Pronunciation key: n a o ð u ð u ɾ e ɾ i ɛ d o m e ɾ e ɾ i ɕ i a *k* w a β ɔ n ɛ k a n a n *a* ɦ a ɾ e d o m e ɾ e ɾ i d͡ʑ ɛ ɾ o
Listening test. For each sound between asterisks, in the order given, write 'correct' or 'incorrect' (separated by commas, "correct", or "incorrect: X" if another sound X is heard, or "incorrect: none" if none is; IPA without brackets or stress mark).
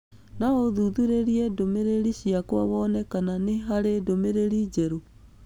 correct, incorrect: e